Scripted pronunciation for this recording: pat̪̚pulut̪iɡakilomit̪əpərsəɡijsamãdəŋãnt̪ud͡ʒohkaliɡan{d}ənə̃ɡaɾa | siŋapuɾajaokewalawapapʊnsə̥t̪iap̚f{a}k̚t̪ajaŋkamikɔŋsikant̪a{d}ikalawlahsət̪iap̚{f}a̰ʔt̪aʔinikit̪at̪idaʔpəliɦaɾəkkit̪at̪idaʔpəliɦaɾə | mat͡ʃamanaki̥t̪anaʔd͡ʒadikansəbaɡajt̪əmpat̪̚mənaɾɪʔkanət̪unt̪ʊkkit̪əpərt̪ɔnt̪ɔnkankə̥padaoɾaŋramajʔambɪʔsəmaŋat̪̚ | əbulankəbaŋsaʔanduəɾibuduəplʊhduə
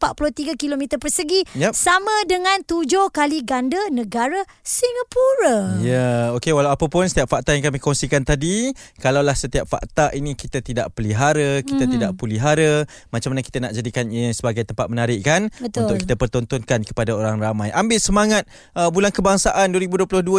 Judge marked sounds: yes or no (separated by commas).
yes, yes, yes, yes